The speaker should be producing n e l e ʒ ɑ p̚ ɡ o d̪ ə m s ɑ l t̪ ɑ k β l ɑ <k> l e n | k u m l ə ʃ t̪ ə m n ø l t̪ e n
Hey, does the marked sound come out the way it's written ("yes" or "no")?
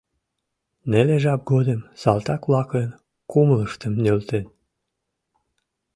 yes